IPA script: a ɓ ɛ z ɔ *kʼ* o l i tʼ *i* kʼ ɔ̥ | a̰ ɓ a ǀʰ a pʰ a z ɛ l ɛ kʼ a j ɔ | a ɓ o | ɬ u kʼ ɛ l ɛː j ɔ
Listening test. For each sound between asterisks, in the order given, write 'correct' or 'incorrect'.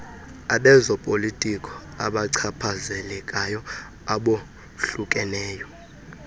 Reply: incorrect: pʼ, correct

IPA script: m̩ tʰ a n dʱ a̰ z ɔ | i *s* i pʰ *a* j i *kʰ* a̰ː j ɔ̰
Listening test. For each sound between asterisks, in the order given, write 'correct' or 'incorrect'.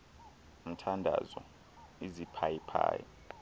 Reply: incorrect: z, correct, incorrect: pʰ

